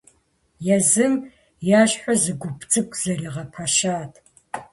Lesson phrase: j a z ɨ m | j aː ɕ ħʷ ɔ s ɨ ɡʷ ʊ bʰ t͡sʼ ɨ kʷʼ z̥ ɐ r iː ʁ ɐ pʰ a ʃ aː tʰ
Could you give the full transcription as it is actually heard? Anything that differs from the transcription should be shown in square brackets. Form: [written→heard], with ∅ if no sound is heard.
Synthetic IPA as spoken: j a z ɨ m | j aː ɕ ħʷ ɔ [s→z] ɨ ɡʷ ʊ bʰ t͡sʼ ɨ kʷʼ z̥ ɐ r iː ʁ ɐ pʰ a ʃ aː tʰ